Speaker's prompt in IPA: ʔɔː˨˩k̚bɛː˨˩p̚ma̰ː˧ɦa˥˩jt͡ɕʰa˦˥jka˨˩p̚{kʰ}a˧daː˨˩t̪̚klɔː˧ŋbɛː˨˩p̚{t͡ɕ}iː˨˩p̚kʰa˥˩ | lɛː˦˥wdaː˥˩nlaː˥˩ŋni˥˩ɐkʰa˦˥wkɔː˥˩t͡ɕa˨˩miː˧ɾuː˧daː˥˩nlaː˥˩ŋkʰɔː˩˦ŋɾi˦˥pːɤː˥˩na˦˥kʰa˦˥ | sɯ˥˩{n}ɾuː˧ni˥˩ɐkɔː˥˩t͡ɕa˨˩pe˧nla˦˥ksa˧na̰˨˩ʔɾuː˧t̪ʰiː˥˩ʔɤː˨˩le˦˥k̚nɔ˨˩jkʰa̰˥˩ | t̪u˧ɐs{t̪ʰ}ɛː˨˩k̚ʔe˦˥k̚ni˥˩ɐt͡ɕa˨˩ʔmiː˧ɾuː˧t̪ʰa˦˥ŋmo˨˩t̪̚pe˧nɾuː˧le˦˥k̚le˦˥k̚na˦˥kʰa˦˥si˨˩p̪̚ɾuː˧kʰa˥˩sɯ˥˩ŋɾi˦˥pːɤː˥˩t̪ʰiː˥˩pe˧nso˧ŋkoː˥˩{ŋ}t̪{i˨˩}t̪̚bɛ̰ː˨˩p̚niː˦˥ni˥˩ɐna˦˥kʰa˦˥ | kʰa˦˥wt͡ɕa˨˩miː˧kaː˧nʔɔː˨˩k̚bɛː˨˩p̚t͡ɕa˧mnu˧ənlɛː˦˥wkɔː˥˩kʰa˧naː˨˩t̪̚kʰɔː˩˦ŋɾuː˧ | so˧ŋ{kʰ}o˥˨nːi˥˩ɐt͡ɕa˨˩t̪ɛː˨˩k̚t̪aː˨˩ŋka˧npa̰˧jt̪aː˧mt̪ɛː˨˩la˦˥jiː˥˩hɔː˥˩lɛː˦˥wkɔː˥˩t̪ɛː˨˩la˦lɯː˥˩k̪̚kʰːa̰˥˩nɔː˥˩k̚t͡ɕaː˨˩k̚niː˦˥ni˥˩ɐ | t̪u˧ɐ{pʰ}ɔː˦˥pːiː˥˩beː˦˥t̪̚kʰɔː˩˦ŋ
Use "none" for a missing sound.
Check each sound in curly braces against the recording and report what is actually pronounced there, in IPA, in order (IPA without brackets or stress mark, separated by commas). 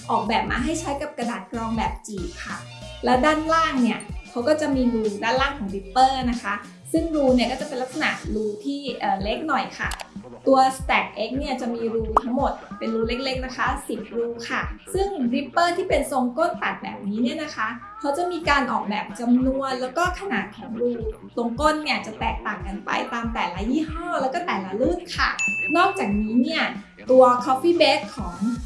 k, t͡ɕ, ŋ, t̪, n, a˨˩, k, kʰ